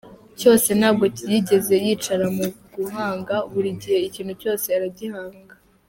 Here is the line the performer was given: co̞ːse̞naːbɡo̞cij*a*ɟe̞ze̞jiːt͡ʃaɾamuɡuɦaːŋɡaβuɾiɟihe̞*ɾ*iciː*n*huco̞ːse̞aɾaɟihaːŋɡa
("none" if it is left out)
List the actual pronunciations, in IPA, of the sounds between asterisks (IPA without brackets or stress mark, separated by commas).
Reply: i, none, n